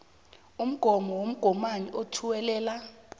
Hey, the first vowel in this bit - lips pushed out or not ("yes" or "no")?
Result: yes